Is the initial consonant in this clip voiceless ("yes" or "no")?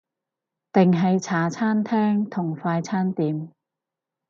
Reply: yes